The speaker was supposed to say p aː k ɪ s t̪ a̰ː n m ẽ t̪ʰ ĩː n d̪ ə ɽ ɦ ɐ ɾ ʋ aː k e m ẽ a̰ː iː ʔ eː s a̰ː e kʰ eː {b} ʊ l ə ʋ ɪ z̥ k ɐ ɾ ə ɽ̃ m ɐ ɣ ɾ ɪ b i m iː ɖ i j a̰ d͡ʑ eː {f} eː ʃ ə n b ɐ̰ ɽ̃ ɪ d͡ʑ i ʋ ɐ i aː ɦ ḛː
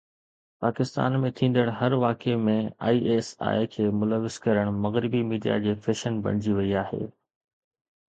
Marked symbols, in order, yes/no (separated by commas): no, yes